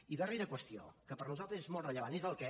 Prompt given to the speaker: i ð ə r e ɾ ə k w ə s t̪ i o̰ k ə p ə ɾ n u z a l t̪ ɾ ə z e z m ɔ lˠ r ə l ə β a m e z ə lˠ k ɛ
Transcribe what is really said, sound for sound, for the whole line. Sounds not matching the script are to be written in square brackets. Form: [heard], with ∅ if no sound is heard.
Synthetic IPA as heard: i ð ə r e ɾ ə k w ə s t̪ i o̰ k ə p ə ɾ n u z a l t̪ ɾ ə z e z m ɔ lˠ r ə [ʎ] ə β a [n] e z ə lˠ k ɛ